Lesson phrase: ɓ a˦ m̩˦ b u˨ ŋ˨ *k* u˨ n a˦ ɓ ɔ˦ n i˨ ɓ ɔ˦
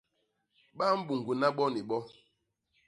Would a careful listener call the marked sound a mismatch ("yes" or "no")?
yes